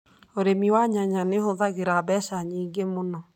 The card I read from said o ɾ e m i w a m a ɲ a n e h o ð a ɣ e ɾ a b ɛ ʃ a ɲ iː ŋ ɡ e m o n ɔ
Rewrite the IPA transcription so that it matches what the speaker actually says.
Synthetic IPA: o ɾ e m i w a ɲ a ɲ a n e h o ð a ɣ e ɾ a b ɛ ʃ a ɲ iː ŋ ɡ e m o n ɔ